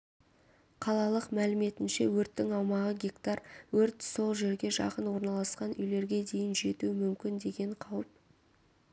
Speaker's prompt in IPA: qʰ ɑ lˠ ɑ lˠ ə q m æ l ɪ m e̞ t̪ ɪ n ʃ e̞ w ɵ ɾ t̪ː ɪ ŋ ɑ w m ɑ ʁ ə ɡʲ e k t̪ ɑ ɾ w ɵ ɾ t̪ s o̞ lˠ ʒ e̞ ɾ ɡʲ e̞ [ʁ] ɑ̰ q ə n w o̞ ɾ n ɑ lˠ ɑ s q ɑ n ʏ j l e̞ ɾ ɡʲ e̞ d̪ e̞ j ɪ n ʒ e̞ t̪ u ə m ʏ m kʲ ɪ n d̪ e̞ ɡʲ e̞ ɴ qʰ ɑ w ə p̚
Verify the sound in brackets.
incorrect: ʒ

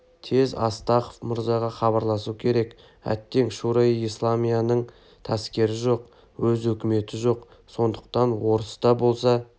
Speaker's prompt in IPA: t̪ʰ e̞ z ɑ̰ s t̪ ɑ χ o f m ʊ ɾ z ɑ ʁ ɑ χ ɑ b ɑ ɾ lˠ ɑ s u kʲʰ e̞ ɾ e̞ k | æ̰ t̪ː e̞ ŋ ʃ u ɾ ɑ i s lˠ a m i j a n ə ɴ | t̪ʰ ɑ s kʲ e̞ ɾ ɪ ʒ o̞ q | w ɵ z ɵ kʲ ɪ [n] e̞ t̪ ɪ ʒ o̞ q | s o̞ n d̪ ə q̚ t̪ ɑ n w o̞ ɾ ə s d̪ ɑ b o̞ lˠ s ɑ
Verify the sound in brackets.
incorrect: m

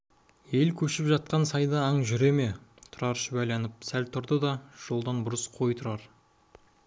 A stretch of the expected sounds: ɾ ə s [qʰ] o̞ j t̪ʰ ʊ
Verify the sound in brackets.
correct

